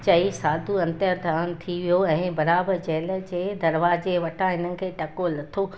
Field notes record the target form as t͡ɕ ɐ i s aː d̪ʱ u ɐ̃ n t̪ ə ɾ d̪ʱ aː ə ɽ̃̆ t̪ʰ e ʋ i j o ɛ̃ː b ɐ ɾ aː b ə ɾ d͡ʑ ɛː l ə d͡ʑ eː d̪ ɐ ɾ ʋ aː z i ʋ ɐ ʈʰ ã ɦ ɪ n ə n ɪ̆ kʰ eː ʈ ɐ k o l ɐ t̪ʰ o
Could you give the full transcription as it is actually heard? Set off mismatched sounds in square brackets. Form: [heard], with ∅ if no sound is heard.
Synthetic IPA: t͡ɕ ɐ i s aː d̪ʱ u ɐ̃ n t̪ ə ɾ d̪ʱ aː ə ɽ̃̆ t̪ʰ [i] ʋ i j o ɛ̃ː b ɐ ɾ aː b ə ɾ d͡ʑ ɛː l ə d͡ʑ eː d̪ ɐ ɾ ʋ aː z [e] ʋ ɐ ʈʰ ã ɦ ɪ n ə n ɪ̆ kʰ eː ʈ ɐ k o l ɐ t̪ʰ o